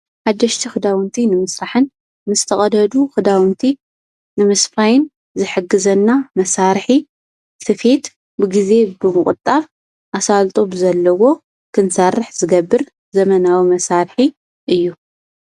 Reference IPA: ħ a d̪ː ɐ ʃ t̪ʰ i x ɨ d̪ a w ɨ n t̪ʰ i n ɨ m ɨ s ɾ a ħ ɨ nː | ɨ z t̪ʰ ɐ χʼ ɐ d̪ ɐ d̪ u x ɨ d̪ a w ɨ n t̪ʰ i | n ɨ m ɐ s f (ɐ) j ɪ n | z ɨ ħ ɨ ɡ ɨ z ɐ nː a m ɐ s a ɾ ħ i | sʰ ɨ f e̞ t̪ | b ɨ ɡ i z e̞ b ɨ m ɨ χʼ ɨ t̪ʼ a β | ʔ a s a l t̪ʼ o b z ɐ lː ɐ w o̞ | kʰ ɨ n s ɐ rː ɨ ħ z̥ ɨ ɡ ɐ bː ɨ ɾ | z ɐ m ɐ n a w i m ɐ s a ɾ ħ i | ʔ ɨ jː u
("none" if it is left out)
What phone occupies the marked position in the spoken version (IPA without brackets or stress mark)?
a